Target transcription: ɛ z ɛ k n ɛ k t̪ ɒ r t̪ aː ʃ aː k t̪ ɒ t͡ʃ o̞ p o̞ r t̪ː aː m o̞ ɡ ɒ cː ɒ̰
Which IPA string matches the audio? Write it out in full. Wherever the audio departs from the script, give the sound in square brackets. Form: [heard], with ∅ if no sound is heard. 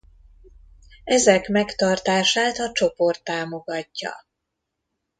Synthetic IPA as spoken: ɛ z ɛ k [m] ɛ k t̪ ɒ r t̪ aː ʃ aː [∅] t̪ ɒ t͡ʃ o̞ p o̞ r t̪ː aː m o̞ ɡ ɒ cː ɒ̰